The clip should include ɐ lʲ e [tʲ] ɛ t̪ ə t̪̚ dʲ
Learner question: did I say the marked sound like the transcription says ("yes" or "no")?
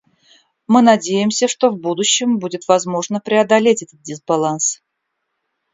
yes